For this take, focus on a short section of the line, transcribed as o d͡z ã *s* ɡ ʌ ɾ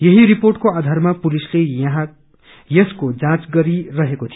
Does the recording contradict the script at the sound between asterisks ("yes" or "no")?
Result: yes